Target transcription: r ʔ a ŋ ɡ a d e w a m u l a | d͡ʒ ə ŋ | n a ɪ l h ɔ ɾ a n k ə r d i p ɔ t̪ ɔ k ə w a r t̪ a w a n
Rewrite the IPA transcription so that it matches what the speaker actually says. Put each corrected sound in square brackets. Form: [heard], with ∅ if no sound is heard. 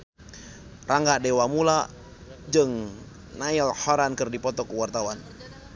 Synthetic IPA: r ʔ a ŋ ɡ a d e w a m u l a | d͡ʒ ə ŋ | n a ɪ l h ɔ ɾ a n k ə r d i p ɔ t̪ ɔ k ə w a r t̪ a w a n